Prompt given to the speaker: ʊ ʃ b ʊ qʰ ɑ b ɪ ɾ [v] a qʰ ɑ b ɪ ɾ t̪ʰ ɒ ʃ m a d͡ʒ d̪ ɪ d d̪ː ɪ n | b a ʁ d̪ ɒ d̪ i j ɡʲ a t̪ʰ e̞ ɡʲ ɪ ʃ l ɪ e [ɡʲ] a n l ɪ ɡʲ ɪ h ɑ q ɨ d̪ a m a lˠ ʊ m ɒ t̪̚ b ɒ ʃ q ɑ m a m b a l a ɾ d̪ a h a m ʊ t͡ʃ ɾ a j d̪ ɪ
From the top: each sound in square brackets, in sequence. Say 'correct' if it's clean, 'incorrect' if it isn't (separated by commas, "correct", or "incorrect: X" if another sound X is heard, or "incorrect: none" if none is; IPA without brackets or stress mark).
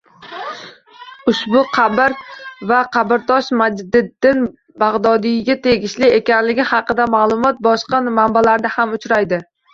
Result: correct, incorrect: kʲ